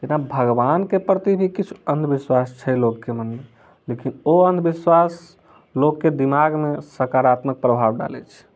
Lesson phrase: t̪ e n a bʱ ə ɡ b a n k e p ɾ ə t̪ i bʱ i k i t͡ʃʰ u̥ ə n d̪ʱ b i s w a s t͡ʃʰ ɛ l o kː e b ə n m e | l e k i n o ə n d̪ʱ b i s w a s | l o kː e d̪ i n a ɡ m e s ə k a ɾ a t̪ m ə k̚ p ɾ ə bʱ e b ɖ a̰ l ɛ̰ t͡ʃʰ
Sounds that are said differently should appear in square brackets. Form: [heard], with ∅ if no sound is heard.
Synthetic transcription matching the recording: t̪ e n a bʱ ə ɡ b a n k e p ɾ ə t̪ i bʱ i k i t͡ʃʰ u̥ ə n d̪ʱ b i s w a s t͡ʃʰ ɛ l o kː e [m] ə n m e | l e k i n o ə n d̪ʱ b i s w a s | l o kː e d̪ i [m] a ɡ m e s ə k a ɾ a t̪ m ə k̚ p ɾ ə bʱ [a] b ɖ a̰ l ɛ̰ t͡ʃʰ

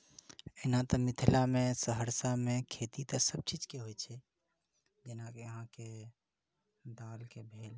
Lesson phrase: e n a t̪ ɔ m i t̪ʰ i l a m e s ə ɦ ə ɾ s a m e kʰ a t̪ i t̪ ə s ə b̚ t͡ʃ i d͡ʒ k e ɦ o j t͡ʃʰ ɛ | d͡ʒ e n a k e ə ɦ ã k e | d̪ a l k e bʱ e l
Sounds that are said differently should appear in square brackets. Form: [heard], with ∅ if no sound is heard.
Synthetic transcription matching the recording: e n a t̪ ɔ m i t̪ʰ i l a m e s ə ɦ ə ɾ s a m e kʰ [e] t̪ i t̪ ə s ə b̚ t͡ʃ i d͡ʒ k e ɦ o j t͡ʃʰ ɛ | d͡ʒ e n a k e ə ɦ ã k e | d̪ a l k e bʱ e l

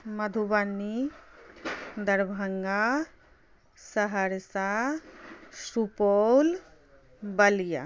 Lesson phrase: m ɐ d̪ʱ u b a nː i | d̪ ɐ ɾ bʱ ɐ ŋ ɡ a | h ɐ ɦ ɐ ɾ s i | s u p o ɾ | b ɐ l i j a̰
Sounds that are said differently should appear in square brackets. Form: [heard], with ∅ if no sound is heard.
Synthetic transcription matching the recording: m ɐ d̪ʱ u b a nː i | d̪ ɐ ɾ bʱ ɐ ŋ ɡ a | [s] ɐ ɦ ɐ ɾ s [a] | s u p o [l] | b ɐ l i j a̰

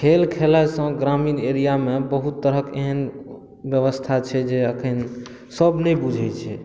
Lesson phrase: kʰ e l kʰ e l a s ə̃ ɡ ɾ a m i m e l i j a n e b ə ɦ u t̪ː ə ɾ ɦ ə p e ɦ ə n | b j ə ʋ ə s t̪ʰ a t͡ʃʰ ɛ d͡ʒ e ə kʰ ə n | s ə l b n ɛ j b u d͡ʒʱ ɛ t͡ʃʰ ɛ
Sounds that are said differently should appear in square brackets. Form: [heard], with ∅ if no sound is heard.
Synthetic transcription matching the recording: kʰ e l kʰ e l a s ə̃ ɡ ɾ a m i [n] e [ɾ] i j a [m] e b ə ɦ u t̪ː ə ɾ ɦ ə [k] e ɦ ə n | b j ə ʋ ə s t̪ʰ a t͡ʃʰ ɛ d͡ʒ e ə kʰ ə n | s ə [∅] b n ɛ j b u d͡ʒʱ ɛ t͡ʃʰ ɛ

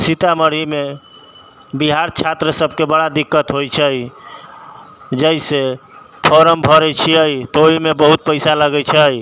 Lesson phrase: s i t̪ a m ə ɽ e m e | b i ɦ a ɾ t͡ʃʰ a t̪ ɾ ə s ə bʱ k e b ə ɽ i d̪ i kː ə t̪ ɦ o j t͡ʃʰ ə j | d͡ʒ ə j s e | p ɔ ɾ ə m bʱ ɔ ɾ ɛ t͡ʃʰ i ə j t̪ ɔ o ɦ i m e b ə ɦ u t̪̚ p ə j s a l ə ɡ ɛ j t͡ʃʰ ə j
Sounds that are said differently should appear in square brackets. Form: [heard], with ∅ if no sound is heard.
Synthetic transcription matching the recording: s i t̪ a m ə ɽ [i] m e | b i ɦ a ɾ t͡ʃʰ a t̪ ɾ ə s ə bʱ k e b ə ɽ [a] d̪ i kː ə t̪ ɦ o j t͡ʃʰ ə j | d͡ʒ ə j s e | [pʰ] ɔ ɾ ə m bʱ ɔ ɾ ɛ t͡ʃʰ i ə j t̪ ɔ o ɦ i m e b ə ɦ u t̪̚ p ə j s a l ə ɡ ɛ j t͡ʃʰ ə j

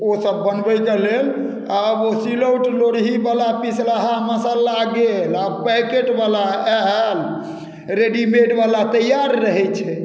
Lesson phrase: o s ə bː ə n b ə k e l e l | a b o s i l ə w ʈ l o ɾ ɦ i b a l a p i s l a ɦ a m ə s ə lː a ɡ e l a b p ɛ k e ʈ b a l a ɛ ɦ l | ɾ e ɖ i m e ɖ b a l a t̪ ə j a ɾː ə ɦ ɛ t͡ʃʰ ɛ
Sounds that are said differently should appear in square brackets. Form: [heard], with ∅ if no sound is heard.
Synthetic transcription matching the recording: o s ə bː ə n b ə k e l e l | a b o s i l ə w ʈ l o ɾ ɦ i b a l a p i s l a ɦ a m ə s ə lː a ɡ e l a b p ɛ k e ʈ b a l a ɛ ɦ l | ɾ e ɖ i m e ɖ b a l a t̪ ə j a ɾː ə ɦ ɛ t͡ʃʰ ɛ

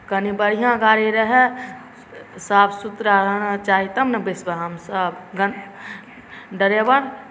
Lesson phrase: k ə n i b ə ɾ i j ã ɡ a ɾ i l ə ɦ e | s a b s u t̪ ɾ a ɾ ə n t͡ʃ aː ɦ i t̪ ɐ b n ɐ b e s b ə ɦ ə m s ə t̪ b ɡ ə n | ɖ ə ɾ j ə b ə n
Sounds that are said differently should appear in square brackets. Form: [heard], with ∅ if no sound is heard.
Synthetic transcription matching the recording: k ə n i b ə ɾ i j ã ɡ a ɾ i [ɾ] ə ɦ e | s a b s u t̪ ɾ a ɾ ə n t͡ʃ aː ɦ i t̪ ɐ [m] n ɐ b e s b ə ɦ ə m s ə [∅] b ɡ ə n | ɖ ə ɾ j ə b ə n

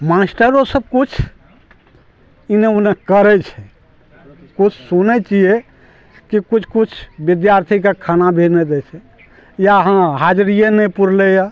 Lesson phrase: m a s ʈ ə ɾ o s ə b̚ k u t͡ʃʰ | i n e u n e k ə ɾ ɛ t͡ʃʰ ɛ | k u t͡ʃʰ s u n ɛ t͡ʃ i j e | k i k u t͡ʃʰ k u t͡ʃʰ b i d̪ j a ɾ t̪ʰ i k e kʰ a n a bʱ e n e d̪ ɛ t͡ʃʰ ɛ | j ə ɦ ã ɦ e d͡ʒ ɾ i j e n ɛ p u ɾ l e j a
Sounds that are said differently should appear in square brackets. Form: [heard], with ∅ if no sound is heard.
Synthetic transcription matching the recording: m a s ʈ ə ɾ o s ə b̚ k u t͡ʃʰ | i n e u n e k ə ɾ ɛ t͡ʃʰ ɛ | k u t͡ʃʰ s u n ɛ t͡ʃ i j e | k i k u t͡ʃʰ k u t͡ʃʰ b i d̪ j a ɾ t̪ʰ i k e kʰ a n a bʱ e n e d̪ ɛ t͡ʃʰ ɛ | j [a] ɦ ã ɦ [a] d͡ʒ ɾ i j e n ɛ p u ɾ l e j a

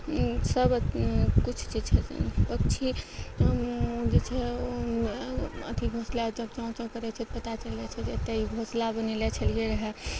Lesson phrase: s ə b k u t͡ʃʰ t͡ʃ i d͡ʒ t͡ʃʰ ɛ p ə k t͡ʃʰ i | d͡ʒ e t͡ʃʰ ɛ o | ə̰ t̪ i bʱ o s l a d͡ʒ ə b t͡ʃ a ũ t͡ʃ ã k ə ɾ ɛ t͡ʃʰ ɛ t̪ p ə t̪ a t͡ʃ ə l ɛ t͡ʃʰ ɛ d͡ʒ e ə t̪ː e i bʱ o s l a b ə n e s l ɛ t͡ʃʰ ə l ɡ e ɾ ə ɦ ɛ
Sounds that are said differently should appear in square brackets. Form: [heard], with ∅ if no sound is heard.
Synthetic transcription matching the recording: s ə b k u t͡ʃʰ t͡ʃ i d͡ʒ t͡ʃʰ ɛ p ə k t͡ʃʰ i | d͡ʒ e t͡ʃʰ ɛ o | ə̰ t̪ i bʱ o s l a d͡ʒ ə b t͡ʃ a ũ t͡ʃ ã k ə ɾ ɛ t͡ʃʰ ɛ t̪ p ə t̪ a t͡ʃ ə l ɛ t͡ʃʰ ɛ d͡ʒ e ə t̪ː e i bʱ o s l a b ə n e [∅] l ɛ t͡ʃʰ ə l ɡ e ɾ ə ɦ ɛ

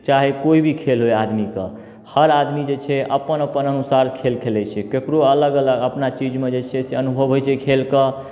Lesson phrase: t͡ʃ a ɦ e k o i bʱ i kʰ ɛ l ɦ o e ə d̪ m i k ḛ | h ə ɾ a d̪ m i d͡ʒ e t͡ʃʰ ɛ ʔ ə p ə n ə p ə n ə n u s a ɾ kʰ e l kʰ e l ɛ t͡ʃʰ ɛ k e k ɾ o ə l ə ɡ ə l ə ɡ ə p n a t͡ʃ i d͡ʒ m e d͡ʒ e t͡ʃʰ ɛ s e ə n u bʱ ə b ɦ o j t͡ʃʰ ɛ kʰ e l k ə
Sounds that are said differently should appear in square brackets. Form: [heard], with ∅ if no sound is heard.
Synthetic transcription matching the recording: t͡ʃ a ɦ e k o i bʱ i kʰ [e] l ɦ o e [a] d̪ m i k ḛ | h ə ɾ a d̪ m i d͡ʒ e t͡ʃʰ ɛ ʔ ə p ə n ə p ə n ə n u s a ɾ kʰ e l kʰ e l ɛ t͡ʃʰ ɛ k e k ɾ o ə l ə ɡ ə l ə ɡ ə p n a t͡ʃ i d͡ʒ m e d͡ʒ e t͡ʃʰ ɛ s e ə n u bʱ ə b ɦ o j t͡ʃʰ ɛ kʰ e l k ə

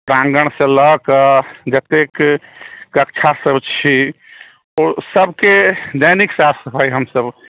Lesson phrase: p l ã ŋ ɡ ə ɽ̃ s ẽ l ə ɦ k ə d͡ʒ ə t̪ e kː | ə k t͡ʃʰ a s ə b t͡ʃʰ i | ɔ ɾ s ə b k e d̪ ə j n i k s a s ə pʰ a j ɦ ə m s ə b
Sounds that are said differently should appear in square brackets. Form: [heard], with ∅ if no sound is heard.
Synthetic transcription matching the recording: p [ɾ] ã ŋ ɡ ə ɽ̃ s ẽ l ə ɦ k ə d͡ʒ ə t̪ e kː | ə k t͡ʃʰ a s ə b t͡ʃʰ i | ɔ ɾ s ə b k e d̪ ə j n i k s a s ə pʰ a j ɦ ə m s ə b

